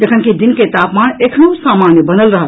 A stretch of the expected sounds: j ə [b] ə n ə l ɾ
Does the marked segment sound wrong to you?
no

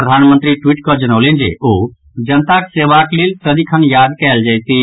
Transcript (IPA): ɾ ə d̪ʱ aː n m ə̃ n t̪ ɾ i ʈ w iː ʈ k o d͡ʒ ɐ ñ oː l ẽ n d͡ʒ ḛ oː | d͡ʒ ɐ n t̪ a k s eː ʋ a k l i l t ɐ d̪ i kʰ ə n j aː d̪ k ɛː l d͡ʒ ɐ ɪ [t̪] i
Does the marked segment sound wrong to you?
no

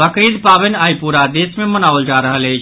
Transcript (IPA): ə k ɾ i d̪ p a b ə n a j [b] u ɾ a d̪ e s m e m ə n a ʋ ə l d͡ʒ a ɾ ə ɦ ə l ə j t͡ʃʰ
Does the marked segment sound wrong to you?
yes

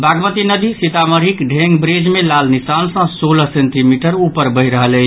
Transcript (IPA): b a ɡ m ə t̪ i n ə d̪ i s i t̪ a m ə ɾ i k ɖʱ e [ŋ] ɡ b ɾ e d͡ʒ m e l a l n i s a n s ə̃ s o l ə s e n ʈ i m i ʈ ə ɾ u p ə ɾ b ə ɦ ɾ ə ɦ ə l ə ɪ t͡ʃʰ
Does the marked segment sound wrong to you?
no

